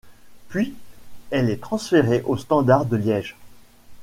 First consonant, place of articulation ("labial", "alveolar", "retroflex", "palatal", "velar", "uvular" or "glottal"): labial